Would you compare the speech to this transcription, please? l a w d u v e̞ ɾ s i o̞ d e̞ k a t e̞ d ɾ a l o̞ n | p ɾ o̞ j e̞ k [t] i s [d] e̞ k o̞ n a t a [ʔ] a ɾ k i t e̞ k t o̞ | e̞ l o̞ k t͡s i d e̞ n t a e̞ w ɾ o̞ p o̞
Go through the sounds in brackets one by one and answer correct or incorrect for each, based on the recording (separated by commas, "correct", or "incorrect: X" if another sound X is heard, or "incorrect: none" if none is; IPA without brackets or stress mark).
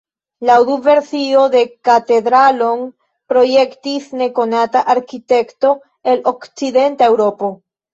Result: correct, incorrect: n, correct